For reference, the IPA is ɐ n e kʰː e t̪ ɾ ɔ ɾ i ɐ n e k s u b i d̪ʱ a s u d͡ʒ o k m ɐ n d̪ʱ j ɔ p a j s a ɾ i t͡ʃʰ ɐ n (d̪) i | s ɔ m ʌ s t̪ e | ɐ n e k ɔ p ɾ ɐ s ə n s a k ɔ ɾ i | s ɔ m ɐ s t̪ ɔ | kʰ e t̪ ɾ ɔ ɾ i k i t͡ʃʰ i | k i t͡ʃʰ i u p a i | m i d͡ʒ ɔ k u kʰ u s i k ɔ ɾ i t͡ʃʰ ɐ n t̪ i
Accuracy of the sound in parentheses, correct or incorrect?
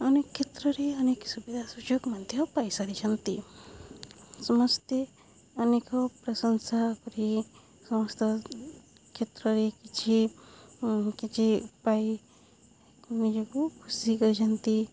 incorrect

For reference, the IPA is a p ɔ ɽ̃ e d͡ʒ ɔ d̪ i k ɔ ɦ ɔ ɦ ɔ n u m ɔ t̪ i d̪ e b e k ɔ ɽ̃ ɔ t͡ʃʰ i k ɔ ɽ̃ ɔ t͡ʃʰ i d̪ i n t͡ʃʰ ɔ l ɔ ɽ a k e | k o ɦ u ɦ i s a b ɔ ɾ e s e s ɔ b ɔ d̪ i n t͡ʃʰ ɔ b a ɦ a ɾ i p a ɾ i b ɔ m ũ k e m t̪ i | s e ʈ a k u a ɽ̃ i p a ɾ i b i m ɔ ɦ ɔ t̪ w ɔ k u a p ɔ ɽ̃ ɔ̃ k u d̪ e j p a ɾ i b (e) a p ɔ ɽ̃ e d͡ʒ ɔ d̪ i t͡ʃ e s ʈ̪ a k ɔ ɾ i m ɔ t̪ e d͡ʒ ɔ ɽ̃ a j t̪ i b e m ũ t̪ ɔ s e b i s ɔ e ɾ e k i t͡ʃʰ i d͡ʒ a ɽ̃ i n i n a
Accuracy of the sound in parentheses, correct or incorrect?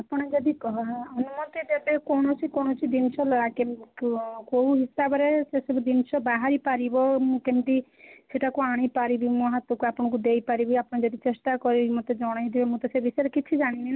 incorrect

